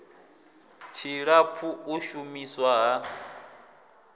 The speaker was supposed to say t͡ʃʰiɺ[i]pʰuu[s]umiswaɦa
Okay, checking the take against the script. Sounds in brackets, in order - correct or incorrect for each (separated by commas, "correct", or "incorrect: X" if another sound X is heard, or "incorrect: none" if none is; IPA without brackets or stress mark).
incorrect: a, incorrect: ʃ